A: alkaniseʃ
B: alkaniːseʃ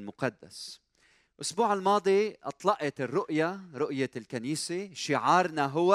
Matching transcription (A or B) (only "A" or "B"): B